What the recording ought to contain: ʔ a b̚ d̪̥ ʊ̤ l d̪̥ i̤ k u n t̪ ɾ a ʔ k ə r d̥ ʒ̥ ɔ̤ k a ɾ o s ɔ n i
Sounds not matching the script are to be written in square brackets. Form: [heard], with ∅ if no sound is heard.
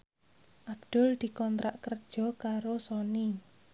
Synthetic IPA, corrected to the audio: ʔ a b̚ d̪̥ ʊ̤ l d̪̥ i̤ k [ɔ] n t̪ ɾ a ʔ k ə r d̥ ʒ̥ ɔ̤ k a ɾ o s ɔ n i